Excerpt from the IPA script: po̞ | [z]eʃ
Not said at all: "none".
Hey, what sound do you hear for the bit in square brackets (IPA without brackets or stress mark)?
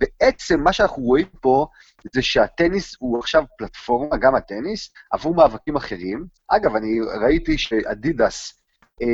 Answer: z